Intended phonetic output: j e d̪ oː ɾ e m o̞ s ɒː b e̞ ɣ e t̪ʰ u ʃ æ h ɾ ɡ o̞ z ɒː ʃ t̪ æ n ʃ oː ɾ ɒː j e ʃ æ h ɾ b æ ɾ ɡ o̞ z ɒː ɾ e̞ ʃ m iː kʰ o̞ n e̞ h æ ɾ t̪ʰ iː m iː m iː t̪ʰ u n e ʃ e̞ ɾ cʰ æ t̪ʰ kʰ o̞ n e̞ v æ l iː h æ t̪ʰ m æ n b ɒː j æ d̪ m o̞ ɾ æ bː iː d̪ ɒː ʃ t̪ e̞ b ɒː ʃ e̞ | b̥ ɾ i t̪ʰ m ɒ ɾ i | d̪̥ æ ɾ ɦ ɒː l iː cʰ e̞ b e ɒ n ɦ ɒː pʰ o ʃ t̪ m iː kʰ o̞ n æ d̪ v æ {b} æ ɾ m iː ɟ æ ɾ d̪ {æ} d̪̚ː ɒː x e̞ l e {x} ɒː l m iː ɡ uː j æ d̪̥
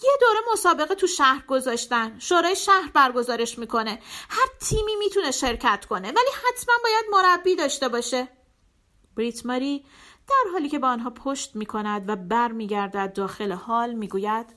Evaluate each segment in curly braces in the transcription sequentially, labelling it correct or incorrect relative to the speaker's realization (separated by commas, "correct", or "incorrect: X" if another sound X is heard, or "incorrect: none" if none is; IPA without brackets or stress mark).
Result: correct, correct, incorrect: h